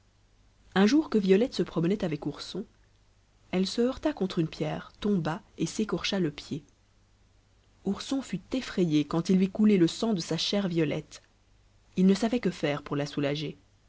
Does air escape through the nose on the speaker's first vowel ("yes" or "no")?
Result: yes